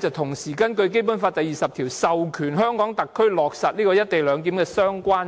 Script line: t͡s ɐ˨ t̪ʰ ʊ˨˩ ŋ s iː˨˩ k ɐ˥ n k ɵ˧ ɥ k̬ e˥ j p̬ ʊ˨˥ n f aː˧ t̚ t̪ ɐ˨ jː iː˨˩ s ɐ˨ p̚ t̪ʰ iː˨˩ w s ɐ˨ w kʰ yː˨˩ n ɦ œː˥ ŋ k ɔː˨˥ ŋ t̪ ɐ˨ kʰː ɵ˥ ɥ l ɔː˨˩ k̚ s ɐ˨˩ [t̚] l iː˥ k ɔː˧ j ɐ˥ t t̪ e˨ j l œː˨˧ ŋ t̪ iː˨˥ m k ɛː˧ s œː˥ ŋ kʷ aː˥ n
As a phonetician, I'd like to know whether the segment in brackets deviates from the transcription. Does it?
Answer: no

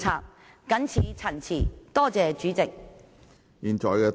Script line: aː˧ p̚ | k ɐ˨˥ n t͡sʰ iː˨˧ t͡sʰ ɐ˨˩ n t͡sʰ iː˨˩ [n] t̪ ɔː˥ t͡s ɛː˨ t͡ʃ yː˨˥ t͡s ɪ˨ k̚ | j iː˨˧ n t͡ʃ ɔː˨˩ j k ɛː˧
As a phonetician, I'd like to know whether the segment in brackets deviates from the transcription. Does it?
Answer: yes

